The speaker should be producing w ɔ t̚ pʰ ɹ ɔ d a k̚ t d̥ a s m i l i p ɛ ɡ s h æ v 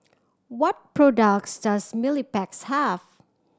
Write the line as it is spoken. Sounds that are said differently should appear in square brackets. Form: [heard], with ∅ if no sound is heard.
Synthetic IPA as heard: w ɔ t̚ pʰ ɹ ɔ d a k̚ [s] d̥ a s m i l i p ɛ [k] s h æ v